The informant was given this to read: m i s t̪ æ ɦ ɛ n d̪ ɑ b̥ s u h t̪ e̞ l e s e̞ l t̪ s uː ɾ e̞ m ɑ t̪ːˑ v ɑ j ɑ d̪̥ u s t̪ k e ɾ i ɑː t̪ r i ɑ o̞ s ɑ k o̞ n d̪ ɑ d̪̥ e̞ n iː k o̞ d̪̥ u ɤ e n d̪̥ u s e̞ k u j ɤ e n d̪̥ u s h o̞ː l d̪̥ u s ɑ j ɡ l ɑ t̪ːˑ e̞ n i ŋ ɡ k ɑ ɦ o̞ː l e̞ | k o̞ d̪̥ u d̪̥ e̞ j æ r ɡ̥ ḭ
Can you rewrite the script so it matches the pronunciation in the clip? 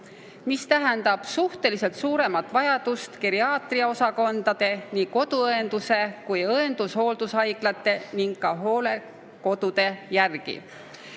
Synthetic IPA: m i s t̪ æ ɦ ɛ n d̪ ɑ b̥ s u h t̪ e̞ l i s e̞ l t̪ s uː ɾ e̞ m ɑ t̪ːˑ v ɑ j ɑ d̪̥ u s t̪ k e ɾ i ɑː t̪ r i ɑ o̞ s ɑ k o̞ n d̪ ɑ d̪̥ e̞ n iː k o̞ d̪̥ u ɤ e n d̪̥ u s e̞ k u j ɤ e n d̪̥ u s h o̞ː l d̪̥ u s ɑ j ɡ l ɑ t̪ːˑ e̞ n i ŋ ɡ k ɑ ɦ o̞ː l e̞ | k o̞ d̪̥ u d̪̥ e̞ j æ r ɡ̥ ḭ